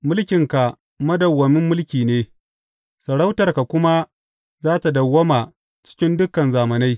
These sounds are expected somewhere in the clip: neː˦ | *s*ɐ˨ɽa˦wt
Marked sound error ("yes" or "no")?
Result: no